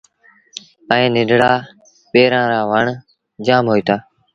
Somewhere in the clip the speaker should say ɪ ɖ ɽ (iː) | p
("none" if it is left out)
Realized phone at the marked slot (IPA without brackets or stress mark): aː